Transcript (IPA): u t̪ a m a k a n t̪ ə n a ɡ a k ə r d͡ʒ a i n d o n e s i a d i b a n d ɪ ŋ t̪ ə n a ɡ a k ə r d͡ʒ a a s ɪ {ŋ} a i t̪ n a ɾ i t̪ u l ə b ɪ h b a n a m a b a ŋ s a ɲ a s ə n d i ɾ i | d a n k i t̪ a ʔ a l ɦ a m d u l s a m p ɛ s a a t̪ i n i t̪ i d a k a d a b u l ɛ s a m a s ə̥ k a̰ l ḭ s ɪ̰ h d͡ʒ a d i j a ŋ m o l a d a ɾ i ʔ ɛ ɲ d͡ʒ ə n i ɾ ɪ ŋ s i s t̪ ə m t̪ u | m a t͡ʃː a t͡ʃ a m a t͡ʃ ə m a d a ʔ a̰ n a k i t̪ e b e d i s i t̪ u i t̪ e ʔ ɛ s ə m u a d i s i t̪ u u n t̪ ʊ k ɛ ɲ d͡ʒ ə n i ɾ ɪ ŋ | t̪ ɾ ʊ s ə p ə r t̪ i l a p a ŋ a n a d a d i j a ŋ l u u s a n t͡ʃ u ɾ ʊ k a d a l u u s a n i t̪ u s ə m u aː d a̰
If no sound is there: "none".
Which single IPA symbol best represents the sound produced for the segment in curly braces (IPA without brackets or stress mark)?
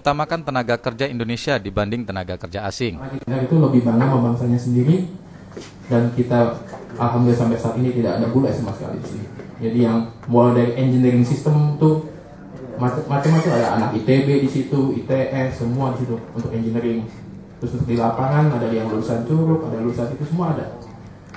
ŋ